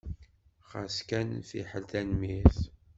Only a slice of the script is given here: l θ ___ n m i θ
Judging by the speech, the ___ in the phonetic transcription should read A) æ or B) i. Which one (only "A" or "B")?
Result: A